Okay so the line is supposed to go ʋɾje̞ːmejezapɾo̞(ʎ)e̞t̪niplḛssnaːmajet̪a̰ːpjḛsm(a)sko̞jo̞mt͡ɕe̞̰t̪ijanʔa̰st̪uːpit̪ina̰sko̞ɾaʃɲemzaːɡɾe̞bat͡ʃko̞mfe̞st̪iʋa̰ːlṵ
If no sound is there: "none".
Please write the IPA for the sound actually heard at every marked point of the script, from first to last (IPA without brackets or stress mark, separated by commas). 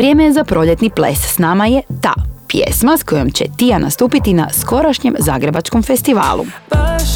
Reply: ʎ, a